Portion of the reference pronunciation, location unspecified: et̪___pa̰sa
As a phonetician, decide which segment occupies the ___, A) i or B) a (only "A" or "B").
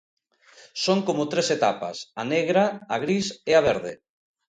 B